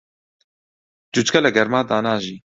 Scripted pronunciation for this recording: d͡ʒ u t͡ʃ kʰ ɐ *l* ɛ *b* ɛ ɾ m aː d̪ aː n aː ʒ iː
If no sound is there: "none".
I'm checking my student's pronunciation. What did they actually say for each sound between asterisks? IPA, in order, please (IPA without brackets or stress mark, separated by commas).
l, ɡ